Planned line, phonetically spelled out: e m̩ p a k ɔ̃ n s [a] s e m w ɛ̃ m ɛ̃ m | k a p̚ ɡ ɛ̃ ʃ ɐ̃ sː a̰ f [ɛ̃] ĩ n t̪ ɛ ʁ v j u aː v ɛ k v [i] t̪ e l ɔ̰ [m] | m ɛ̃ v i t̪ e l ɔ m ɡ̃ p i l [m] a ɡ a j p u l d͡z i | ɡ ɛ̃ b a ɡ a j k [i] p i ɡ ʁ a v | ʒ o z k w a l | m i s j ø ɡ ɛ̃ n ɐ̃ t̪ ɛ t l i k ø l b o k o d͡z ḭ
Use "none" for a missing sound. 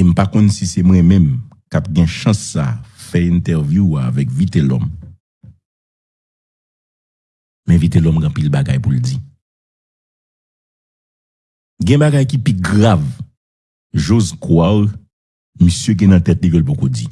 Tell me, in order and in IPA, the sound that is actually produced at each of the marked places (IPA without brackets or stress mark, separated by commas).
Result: i, ɛ, i, m, b, i